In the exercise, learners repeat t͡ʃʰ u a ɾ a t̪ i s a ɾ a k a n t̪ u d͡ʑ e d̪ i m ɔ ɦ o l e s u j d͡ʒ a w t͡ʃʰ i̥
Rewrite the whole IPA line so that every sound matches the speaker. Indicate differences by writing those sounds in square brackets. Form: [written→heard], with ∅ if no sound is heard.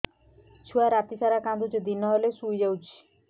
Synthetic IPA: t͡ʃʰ u a ɾ a t̪ i s a ɾ a k a n [t̪→d̪] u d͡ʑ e d̪ i [m→n] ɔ ɦ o l e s u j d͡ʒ a w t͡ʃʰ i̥